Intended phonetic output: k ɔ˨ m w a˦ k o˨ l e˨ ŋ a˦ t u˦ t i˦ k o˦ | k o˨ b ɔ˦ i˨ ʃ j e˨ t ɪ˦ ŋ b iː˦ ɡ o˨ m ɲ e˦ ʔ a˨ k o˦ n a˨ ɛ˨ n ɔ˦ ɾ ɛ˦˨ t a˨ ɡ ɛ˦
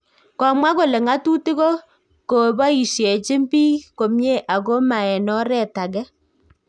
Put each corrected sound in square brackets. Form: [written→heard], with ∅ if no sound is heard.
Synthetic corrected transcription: k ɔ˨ m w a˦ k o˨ l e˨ ŋ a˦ t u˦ t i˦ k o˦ | k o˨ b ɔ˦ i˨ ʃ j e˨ [t→t͡ʃ] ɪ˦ [ŋ→m] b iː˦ [ɡ→k] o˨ m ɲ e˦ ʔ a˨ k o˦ [n→m] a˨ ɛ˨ n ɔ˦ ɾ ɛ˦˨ t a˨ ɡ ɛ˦